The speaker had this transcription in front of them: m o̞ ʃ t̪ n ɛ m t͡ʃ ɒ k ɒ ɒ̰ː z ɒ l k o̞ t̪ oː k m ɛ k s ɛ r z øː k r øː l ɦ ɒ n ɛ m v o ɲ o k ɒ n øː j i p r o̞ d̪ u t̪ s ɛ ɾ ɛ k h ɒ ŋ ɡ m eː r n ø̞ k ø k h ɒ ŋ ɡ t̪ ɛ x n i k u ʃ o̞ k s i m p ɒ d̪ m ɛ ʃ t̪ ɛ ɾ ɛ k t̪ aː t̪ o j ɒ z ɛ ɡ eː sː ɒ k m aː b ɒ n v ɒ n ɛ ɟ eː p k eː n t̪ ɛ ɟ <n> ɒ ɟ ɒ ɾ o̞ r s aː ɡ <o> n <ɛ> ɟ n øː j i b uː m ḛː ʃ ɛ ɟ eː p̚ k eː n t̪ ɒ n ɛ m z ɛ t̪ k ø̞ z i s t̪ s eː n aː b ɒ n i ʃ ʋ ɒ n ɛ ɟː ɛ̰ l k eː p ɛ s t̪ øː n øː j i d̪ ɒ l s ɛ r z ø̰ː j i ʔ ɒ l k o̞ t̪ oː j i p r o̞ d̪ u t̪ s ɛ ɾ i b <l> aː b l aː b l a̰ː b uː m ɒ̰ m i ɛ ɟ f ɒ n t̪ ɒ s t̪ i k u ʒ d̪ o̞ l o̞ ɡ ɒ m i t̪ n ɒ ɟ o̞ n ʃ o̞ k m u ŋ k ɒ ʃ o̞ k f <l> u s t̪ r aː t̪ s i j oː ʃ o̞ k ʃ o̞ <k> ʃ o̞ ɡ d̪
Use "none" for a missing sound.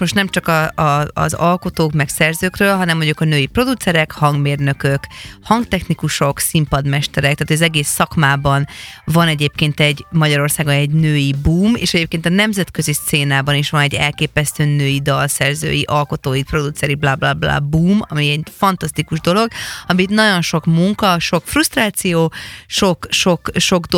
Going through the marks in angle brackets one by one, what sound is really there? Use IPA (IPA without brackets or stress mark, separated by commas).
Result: m, o, ɛ, l, r, k